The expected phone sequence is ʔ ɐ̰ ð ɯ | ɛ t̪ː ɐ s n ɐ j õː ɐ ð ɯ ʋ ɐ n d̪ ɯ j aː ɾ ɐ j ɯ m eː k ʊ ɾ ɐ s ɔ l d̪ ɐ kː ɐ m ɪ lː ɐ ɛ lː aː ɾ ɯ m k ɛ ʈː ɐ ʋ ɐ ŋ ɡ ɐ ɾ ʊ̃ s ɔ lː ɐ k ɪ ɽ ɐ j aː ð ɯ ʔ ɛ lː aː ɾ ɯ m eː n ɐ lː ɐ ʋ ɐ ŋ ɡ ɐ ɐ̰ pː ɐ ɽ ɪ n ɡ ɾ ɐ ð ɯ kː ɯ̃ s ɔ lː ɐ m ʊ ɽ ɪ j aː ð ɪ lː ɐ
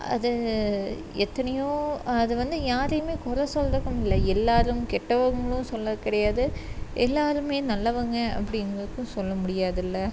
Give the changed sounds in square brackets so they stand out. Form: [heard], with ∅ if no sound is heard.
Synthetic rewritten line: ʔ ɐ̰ ð ɯ | ɛ t̪ː ɐ [∅] n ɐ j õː ɐ ð ɯ ʋ ɐ n d̪ ɯ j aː ɾ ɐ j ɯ m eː k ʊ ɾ ɐ s ɔ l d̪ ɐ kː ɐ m ɪ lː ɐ ɛ lː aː ɾ ɯ m k ɛ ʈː ɐ ʋ ɐ ŋ ɡ ɐ [ɭ] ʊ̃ s ɔ lː ɐ k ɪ ɽ ɐ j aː ð ɯ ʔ ɛ lː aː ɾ ɯ m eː n ɐ lː ɐ ʋ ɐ ŋ ɡ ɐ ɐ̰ pː ɐ ɽ ɪ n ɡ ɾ ɐ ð ɯ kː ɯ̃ s ɔ lː ɐ m ʊ ɽ ɪ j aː ð ɪ lː ɐ